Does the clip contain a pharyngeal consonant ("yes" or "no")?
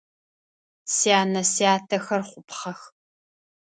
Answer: no